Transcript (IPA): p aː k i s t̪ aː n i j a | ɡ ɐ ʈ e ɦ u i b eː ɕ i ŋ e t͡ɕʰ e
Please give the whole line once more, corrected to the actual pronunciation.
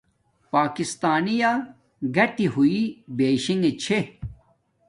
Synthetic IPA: p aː k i s t̪ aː n i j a | ɡ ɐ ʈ i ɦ u i b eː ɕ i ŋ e t͡ɕʰ e